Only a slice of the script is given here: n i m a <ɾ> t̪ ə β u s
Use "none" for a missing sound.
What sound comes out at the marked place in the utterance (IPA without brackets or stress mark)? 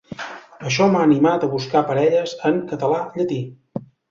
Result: none